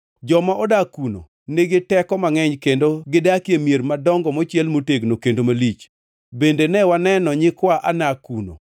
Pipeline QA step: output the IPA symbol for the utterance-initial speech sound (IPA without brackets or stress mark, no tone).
d͡ʒ